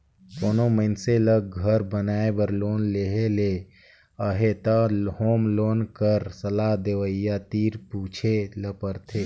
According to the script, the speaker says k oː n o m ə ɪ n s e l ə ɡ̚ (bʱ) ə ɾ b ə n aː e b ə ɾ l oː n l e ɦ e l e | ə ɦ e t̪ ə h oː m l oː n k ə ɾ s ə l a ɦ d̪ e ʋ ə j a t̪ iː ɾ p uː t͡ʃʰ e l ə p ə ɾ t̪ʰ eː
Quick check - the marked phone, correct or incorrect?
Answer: incorrect